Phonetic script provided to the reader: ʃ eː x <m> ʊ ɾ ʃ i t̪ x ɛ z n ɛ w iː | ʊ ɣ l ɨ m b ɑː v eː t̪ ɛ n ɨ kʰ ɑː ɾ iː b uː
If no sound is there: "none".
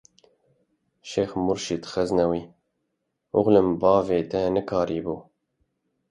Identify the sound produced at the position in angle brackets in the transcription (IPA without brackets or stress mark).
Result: m